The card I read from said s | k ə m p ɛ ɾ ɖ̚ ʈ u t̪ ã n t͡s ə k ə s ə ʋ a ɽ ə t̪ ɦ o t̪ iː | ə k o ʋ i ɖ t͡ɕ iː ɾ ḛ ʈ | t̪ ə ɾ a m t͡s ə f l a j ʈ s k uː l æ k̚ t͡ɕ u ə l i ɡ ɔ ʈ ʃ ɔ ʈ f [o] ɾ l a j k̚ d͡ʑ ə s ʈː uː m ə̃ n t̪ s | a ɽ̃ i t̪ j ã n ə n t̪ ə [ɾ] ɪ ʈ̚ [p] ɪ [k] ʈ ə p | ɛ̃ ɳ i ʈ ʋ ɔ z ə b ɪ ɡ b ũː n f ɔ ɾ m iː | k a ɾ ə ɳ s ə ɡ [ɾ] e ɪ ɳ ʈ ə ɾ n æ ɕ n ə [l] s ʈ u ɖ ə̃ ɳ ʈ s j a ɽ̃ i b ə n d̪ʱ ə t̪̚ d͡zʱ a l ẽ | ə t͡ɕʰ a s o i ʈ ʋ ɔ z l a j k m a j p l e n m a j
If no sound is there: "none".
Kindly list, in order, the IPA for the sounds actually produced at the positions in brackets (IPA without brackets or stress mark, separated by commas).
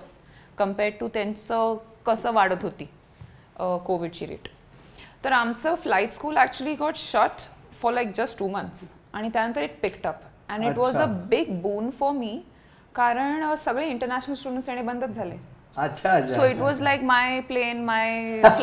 ɔ, ɾ, p, k, ɭ, l